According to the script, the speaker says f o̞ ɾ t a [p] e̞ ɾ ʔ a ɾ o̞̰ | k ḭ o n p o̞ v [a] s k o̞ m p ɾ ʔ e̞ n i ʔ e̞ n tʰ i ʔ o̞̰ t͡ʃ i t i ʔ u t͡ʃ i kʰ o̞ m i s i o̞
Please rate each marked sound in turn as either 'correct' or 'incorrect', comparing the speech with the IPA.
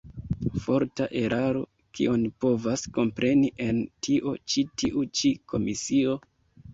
incorrect: ʔ, correct

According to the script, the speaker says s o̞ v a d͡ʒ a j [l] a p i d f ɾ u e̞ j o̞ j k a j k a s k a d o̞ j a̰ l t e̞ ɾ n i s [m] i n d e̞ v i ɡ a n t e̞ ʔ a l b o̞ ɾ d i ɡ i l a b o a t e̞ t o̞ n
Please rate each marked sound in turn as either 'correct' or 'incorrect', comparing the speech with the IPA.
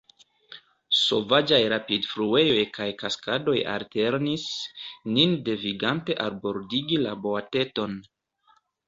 incorrect: ɾ, incorrect: n

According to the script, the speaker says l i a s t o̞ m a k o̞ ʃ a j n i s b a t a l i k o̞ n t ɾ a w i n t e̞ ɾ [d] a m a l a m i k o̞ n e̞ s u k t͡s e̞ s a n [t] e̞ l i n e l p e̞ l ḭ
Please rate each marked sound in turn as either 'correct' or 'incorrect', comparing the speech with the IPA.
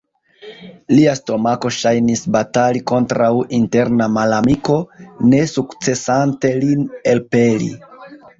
incorrect: n, correct

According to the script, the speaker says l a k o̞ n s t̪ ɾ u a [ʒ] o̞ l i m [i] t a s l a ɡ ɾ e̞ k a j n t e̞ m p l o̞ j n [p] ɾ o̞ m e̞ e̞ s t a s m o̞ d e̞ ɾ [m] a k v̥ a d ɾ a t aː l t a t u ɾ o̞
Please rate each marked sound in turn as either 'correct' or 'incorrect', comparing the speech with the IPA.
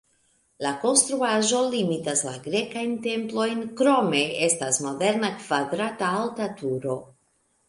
correct, correct, incorrect: k, incorrect: n

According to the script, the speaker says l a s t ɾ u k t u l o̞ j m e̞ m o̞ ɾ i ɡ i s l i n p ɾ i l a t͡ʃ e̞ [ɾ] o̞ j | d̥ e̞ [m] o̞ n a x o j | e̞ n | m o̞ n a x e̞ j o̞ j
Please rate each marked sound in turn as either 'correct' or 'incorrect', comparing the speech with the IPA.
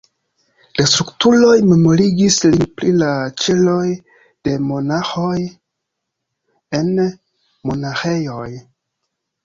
incorrect: l, correct

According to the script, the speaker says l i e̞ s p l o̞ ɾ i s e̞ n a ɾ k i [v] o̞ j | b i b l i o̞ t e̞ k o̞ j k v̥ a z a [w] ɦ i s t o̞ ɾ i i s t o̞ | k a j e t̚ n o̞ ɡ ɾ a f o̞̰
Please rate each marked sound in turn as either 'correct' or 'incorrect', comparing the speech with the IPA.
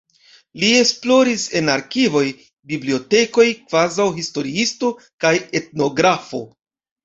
correct, correct

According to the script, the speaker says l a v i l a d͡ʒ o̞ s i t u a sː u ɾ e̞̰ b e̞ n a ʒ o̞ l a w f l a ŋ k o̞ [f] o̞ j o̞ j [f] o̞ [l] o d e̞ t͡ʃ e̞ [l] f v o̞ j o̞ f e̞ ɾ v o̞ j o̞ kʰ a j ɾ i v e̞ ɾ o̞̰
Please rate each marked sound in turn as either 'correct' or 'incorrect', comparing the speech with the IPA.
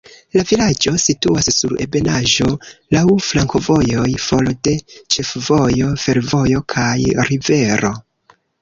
incorrect: v, correct, correct, incorrect: none

